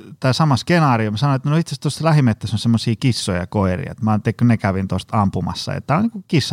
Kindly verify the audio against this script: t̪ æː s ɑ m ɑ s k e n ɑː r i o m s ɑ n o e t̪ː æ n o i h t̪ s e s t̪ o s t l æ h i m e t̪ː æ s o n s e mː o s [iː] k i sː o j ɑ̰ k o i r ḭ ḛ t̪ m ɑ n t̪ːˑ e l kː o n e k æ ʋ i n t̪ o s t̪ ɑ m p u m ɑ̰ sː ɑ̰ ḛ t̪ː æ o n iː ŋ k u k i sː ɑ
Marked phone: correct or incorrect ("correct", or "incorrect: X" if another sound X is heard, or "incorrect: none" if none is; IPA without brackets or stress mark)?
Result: correct